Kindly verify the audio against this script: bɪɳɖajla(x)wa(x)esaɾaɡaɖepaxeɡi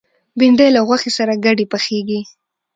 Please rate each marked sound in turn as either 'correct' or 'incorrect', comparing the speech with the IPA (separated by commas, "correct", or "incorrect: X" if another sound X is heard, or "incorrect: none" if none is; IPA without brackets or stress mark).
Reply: incorrect: ɣ, correct